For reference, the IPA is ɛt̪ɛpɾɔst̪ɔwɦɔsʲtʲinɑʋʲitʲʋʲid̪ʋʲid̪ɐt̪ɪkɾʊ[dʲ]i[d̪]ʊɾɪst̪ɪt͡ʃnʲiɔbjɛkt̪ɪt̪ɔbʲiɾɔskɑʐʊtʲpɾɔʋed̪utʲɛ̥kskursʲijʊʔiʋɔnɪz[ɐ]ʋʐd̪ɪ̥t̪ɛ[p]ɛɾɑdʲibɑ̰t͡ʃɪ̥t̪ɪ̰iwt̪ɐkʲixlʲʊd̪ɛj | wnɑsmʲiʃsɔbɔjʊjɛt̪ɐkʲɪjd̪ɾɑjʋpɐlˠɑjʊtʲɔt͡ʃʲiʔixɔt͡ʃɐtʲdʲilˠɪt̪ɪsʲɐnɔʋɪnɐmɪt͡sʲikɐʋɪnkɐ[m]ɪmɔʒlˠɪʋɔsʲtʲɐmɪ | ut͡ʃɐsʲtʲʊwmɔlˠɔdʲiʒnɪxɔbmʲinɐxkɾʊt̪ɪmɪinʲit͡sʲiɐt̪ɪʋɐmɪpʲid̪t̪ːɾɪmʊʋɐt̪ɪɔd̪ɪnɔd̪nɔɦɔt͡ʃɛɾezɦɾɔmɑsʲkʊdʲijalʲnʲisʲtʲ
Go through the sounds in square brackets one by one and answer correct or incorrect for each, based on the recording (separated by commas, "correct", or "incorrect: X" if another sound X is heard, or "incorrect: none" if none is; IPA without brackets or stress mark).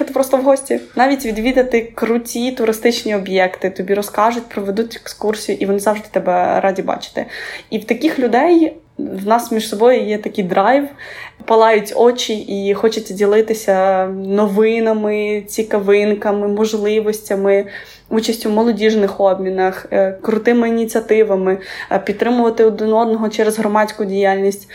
incorrect: tʲ, incorrect: t̪, incorrect: ɑ, incorrect: b, correct